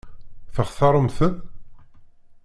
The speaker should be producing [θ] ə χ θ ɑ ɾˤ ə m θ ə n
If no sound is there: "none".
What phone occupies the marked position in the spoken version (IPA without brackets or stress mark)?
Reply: θ